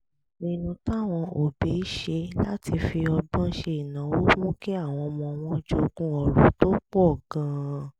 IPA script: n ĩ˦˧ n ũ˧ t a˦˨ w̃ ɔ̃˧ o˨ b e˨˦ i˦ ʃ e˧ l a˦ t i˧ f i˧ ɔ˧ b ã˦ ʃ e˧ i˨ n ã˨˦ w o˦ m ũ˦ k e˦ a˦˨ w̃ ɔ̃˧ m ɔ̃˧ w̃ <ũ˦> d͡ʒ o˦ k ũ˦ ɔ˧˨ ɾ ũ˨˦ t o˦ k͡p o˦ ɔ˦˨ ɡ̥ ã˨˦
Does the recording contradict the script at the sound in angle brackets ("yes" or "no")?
yes